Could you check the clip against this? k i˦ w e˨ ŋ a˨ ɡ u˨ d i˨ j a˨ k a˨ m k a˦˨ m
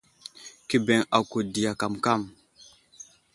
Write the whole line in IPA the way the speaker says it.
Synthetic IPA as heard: k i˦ b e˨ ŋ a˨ k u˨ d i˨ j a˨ k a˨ m k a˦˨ m